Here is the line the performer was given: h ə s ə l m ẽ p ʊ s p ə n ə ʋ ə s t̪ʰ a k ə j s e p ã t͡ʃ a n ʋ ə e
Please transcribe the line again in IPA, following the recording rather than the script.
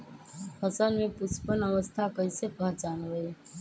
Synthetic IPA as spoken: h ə s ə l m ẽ p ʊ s p ə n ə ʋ ə s t̪ʰ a k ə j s e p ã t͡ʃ a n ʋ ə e